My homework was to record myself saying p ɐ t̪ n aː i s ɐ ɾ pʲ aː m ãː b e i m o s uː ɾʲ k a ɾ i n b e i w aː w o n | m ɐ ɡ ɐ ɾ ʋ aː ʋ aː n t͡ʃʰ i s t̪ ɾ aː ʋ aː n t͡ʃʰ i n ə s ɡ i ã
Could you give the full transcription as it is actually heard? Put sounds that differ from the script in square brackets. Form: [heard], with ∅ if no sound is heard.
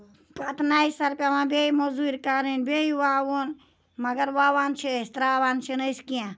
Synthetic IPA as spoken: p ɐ t̪ n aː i s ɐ ɾ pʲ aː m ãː b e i m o [z] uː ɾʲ k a ɾ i n b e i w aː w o n | m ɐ ɡ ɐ ɾ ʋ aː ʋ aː n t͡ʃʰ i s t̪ ɾ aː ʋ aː n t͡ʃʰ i n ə s [k] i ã